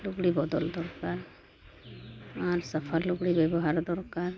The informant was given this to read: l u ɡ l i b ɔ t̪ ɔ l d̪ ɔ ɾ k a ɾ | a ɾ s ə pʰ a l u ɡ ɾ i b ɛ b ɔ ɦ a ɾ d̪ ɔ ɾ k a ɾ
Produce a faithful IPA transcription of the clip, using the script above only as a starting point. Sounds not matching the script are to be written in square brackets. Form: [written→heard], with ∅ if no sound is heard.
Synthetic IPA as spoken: l u ɡ [l→ɽ] i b ɔ [t̪→d̪] ɔ l d̪ ɔ ɾ k a ɾ | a ɾ s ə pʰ a l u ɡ [ɾ→ɽ] i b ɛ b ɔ ɦ a ɾ d̪ ɔ ɾ k a ɾ